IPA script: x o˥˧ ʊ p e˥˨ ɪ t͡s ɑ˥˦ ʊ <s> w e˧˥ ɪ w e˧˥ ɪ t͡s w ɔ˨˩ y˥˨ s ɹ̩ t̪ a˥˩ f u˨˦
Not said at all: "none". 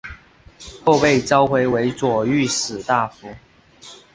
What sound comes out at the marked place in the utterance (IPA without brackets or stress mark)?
x